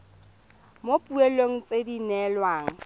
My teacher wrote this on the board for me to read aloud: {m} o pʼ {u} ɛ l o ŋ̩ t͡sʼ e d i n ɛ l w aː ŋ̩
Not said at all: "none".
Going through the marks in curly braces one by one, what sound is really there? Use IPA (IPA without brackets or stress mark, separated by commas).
m, u